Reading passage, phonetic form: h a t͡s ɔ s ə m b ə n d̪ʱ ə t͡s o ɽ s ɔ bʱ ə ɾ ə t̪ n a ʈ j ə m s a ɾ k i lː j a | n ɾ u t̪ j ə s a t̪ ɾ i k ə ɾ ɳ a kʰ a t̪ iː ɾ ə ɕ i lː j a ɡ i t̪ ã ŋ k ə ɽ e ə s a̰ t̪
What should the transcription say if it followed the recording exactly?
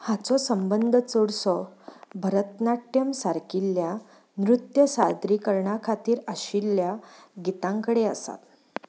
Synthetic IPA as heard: h a t͡s ɔ s ə m b ə n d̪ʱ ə t͡s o ɽ s ɔ bʱ ə ɾ ə t̪ n a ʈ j ə m s a ɾ k i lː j a | n ɾ u t̪ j ə s a d̪ ɾ i k ə ɾ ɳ a kʰ a t̪ iː ɾ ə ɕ i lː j a ɡ i t̪ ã ŋ k ə ɽ e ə s a̰ t̪